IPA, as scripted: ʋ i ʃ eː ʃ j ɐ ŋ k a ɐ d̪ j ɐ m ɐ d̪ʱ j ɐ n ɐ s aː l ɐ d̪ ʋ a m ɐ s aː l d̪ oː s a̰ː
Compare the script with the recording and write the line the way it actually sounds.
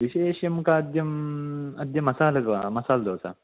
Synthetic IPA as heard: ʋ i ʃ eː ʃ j ɐ m k a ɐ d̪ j ɐ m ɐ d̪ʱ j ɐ m ɐ s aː l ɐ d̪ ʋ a m ɐ s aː l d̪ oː s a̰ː